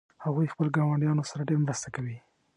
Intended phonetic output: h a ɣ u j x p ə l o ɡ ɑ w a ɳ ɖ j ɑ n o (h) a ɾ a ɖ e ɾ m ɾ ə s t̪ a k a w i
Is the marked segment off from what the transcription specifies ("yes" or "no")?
yes